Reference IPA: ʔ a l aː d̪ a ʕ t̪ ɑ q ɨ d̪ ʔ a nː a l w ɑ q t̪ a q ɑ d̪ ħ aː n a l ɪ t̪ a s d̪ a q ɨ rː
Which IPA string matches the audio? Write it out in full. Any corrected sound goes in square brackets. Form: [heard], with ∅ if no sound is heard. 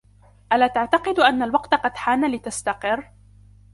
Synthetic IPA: ʔ a l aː [t̪] a ʕ t̪ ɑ q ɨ d̪ ʔ a nː a l w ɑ q t̪ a q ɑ d̪ ħ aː n a l ɪ t̪ a s [t̪] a q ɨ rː